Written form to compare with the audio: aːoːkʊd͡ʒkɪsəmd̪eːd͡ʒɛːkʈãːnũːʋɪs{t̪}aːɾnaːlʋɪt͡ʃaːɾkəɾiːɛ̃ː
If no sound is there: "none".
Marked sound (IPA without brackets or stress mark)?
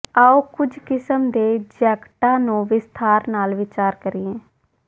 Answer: t̪ʰ